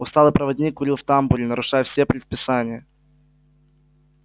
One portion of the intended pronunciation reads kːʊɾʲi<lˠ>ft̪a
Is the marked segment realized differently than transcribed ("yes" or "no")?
no